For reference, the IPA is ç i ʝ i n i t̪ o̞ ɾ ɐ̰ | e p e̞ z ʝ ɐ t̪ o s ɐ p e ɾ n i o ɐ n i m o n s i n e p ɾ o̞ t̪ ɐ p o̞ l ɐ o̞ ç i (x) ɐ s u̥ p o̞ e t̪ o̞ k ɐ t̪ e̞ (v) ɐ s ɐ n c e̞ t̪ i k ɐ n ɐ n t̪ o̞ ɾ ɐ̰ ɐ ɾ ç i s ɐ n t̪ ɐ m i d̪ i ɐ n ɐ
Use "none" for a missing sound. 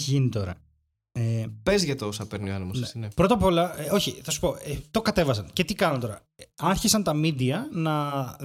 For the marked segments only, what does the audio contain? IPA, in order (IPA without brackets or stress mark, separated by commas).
θ, v